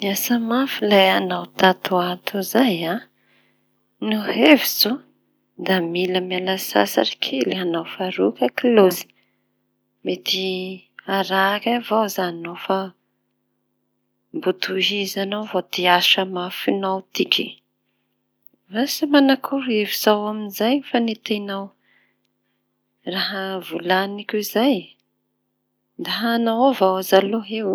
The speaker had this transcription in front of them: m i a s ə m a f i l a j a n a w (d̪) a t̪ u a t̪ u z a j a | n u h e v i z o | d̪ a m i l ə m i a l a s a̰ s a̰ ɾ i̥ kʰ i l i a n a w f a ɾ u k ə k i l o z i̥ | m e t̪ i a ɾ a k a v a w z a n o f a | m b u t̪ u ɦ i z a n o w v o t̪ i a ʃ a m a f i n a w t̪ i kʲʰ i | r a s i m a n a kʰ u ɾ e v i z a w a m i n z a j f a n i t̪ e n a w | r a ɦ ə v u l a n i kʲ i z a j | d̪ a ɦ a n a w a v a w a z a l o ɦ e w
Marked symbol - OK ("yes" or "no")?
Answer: no